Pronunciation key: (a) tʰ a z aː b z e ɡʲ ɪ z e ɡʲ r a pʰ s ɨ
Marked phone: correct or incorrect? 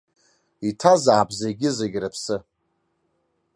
incorrect: i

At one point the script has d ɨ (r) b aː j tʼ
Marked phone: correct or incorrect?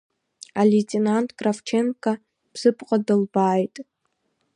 incorrect: l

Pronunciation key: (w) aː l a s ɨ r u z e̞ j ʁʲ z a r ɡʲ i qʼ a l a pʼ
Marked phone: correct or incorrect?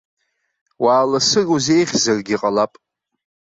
correct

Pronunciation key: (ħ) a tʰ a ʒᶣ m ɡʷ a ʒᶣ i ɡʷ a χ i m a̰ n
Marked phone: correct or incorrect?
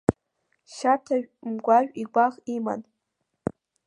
incorrect: ʃ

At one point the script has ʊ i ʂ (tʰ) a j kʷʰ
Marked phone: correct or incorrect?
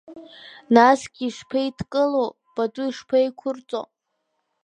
incorrect: pʰ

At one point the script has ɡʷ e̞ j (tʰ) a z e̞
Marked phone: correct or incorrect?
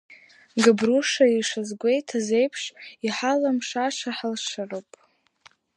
correct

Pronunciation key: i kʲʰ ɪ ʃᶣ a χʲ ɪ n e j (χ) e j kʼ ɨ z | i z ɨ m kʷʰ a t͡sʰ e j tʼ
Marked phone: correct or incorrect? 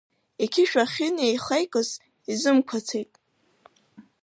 correct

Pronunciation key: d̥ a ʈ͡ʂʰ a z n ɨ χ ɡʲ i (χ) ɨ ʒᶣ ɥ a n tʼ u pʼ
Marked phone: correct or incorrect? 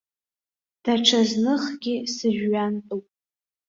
incorrect: s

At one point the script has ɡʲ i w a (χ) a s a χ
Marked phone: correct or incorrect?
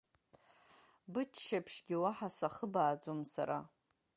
incorrect: ħ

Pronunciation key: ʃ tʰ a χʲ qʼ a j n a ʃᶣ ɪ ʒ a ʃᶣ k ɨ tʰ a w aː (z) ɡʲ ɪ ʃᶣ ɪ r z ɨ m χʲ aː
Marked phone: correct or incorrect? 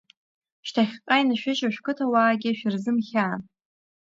incorrect: none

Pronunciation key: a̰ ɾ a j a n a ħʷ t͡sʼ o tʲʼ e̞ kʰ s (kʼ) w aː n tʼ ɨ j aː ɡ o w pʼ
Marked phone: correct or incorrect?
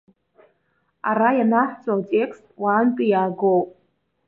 incorrect: tʼ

